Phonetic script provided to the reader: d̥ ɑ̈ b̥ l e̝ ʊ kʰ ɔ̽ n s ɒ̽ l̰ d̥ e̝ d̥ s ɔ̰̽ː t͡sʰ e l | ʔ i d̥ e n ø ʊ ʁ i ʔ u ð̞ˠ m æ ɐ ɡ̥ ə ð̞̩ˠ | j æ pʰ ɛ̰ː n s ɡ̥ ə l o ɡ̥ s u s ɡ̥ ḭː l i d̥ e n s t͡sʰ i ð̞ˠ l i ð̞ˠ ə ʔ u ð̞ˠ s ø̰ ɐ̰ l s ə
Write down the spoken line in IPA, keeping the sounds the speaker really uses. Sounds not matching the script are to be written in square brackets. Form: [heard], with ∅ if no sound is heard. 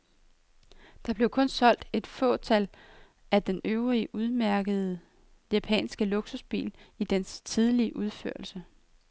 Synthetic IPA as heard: d̥ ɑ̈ b̥ l e̝ ʊ kʰ ɔ̽ n s ɒ̽ l̰ d̥ e̝ d̥ [f] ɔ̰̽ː t͡sʰ [æ] l | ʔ [æ] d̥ e n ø ʊ ʁ i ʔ u ð̞ˠ m æ ɐ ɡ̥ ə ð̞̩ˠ | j æ pʰ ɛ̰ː n s ɡ̥ ə l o ɡ̥ s u s [b̥] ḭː l i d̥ e n s t͡sʰ i ð̞ˠ l i [∅] ə ʔ u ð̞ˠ [f] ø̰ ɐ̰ l s ə

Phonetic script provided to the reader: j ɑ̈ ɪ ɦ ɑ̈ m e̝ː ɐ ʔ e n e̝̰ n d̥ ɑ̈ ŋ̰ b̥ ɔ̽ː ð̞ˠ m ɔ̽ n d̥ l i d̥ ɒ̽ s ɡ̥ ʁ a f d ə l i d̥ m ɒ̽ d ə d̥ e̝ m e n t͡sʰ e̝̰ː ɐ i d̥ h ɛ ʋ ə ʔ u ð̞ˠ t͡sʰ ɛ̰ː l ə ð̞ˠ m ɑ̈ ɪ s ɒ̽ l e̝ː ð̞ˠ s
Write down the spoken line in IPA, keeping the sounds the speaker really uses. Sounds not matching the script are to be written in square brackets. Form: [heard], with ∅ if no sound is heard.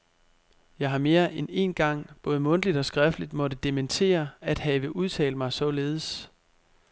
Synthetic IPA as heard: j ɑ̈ ɪ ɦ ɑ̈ m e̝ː ɐ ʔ e n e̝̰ n [ɡ̥] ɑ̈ ŋ̰ b̥ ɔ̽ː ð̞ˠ m ɔ̽ n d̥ l i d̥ ɒ̽ s ɡ̥ ʁ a f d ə l i d̥ m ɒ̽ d ə d̥ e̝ m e n t͡sʰ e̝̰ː ɐ [æ] d̥ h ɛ ʋ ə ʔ u ð̞ˠ t͡sʰ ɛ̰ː l ə [∅] m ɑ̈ ɪ s ɒ̽ l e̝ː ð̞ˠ s

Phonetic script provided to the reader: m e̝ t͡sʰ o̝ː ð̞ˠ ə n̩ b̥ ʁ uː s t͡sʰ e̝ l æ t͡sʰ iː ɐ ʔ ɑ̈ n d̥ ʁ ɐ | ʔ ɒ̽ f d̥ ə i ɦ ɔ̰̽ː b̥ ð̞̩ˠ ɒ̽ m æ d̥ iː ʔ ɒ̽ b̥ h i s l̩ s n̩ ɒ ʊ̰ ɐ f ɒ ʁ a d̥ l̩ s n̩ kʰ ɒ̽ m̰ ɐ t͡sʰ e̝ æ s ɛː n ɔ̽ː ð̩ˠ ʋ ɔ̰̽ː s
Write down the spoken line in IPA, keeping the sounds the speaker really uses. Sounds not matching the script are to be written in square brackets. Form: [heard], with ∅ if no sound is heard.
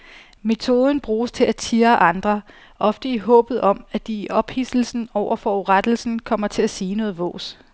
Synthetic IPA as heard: m e̝ t͡sʰ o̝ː ð̞ˠ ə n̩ b̥ ʁ uː s t͡sʰ e̝ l æ t͡sʰ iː ɐ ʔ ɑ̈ n d̥ ʁ ɐ | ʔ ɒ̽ f d̥ ə i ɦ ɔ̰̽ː b̥ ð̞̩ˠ ɒ̽ m æ d̥ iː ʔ ɒ̽ b̥ h i s l̩ s n̩ ɒ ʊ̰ ɐ f ɒ ʁ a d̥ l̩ s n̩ kʰ ɒ̽ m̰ ɐ t͡sʰ e̝ æ s [iː] n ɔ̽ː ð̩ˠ ʋ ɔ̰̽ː s

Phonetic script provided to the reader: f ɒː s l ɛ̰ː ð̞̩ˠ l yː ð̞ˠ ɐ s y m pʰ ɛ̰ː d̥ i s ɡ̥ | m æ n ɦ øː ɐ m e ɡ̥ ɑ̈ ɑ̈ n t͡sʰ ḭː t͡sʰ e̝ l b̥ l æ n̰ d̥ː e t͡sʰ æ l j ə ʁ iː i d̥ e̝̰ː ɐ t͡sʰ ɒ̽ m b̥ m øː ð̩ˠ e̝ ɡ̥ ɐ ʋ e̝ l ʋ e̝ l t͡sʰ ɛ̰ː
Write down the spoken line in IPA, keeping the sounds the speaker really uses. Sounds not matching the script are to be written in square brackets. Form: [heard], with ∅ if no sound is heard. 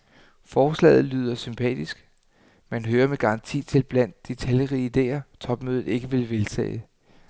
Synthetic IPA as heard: f ɒː s l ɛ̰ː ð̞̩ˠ l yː ð̞ˠ ɐ s y m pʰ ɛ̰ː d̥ i s ɡ̥ | m æ n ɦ øː ɐ m e ɡ̥ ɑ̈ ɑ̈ n t͡sʰ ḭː t͡sʰ e̝ l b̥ l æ n̰ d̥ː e t͡sʰ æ l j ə ʁ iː i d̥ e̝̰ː ɐ t͡sʰ ɒ̽ [∅] b̥ m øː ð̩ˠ e̝ ɡ̥ [ə] ʋ e̝ l ʋ e̝ l t͡sʰ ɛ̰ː

